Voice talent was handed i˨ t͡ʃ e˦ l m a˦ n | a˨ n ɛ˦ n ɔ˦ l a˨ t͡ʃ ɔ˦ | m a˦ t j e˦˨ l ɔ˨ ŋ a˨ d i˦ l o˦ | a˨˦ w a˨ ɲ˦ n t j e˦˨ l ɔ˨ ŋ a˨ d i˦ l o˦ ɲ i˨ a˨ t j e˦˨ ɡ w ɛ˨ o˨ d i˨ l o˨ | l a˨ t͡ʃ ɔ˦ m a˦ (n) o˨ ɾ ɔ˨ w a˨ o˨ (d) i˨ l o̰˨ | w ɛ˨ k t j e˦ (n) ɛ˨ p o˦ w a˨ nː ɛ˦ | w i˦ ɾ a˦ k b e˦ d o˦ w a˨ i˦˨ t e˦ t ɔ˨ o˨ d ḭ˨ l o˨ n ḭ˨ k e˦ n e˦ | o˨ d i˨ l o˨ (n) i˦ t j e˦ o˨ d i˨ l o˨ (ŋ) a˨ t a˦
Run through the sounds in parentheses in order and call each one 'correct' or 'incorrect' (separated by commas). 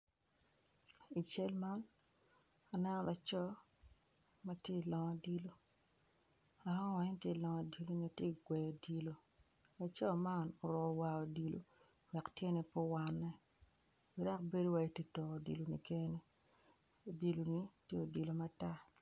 correct, correct, correct, correct, incorrect